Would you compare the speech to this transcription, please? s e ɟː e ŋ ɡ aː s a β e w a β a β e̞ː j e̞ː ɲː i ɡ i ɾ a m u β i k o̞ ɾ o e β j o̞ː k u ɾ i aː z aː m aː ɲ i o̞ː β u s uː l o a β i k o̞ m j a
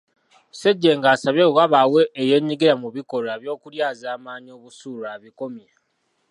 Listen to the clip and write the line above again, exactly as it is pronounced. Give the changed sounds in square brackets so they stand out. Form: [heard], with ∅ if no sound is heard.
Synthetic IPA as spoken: s e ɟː e ŋ ɡ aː s a β e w a β a [w] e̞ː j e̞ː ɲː i ɡ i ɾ a m u β i k o̞ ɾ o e β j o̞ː k u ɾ [j] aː z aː m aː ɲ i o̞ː β u s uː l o a β i k o̞ m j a